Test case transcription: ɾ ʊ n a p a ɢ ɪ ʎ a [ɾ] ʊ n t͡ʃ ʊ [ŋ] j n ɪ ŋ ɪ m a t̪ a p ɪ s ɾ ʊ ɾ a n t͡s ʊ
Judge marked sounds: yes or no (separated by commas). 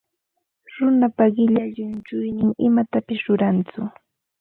no, no